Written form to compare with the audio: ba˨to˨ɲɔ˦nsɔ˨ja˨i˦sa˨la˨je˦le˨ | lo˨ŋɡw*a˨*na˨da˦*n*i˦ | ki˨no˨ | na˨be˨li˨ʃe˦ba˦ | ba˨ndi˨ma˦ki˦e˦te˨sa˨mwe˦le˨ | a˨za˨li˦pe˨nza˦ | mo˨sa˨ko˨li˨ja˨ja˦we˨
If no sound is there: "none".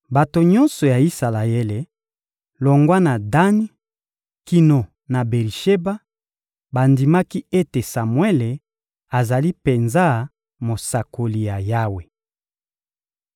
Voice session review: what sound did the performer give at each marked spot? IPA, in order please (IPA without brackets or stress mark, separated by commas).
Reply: a˦, n